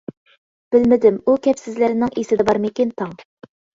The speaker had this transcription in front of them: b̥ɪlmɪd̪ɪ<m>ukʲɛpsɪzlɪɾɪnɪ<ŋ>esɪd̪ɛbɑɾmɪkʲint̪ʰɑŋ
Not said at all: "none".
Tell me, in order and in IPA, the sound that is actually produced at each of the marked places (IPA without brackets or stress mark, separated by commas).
m, ŋ